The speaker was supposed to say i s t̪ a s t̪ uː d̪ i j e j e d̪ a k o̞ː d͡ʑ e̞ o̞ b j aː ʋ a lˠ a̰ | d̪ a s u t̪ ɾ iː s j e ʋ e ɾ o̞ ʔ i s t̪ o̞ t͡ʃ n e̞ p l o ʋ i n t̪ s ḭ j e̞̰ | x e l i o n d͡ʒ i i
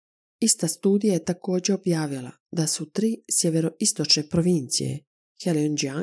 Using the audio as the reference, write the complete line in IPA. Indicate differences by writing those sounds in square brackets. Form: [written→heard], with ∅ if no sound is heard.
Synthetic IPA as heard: i s t̪ a s t̪ uː d̪ i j [e→a] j e [d̪→t̪] a k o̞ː d͡ʑ e̞ o̞ b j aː ʋ [a→i] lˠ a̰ | d̪ a s u t̪ ɾ iː s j e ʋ e ɾ o̞ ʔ i s t̪ o̞ t͡ʃ n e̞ p [l→ɾ] o ʋ i n t̪ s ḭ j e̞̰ | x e l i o n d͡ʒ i [i→a]